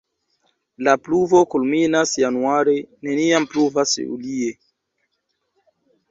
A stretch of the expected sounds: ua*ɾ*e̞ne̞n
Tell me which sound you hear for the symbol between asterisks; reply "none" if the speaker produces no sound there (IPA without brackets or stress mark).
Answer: ɾ